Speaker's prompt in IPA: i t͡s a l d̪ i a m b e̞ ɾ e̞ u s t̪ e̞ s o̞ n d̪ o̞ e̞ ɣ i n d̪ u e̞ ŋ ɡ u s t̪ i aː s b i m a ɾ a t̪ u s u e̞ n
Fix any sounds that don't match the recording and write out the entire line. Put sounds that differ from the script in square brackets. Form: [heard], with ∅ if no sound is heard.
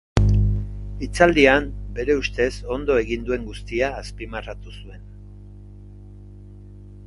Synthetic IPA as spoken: i t͡s a l d̪ i a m b e̞ ɾ e̞ u s t̪ e̞ s o̞ n d̪ o̞ e̞ ɣ i n d̪ u e̞ ŋ ɡ u s t̪ i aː s [p] i m a [r] a t̪ u s u e̞ n